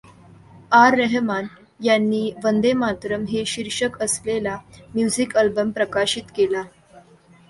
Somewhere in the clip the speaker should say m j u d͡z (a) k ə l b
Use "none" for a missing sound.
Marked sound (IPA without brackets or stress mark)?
i